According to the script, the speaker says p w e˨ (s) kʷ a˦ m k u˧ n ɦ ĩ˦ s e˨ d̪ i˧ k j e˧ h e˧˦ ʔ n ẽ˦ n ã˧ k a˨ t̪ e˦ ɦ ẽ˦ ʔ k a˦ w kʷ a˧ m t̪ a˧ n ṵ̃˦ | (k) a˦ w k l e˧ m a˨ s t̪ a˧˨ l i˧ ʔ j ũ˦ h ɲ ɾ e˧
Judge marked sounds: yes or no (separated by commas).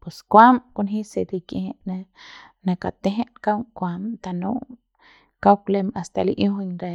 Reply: yes, yes